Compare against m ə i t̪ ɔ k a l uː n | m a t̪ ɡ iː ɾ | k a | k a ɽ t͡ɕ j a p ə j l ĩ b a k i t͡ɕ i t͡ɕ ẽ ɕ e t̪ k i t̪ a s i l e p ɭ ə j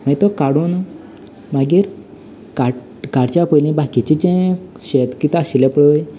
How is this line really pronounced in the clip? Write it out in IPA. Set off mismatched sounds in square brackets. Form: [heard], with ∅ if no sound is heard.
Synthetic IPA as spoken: m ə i t̪ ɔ k a [ɽ] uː n | m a [∅] ɡ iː ɾ | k a | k a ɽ t͡ɕ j a p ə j l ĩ b a k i t͡ɕ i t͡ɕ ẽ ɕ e t̪ k i t̪ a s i l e p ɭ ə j